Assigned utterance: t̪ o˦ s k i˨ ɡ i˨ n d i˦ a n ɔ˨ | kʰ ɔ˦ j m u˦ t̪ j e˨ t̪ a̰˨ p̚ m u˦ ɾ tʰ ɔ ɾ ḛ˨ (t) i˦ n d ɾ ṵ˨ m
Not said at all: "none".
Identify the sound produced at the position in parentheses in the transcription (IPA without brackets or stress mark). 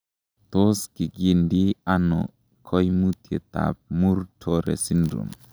s